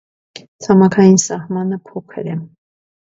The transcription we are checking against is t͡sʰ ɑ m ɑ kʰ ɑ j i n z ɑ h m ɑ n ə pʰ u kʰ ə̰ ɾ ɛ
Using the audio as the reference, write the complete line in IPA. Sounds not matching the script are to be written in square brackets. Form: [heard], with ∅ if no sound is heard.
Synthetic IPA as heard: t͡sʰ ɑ m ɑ kʰ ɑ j i n [s] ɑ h m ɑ n ə pʰ [ɔ] kʰ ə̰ ɾ ɛ